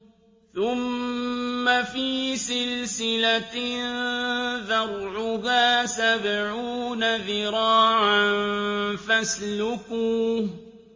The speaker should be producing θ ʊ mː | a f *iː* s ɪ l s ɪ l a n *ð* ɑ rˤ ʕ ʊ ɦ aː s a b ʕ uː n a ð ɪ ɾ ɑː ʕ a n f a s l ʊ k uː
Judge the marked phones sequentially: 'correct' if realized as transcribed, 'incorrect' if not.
correct, correct

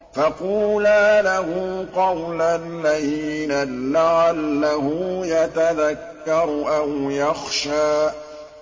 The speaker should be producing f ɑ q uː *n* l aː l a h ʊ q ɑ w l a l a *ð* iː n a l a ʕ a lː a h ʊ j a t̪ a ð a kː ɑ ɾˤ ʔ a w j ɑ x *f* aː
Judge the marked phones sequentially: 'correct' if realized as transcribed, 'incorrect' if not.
incorrect, correct, incorrect

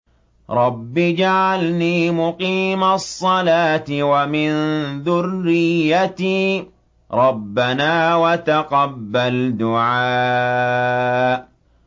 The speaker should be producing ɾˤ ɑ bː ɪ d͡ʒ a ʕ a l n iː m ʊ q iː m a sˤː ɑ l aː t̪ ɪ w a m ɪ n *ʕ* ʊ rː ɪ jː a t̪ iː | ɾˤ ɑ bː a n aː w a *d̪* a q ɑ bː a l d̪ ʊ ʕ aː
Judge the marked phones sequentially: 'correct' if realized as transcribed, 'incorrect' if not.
incorrect, incorrect

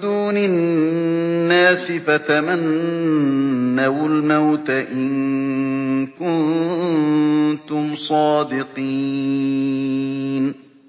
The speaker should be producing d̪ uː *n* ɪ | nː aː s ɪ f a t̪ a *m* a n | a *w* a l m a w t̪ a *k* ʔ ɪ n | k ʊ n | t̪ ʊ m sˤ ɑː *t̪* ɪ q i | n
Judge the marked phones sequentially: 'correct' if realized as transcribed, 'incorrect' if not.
correct, correct, correct, incorrect, incorrect

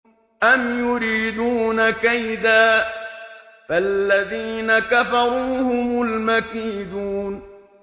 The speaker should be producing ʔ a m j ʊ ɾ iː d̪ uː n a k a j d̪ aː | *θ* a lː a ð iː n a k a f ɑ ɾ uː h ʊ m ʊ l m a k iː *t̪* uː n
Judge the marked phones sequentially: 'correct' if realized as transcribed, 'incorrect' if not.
incorrect, incorrect

